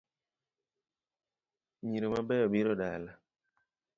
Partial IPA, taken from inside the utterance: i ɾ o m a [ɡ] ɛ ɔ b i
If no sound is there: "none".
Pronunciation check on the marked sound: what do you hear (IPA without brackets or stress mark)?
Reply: b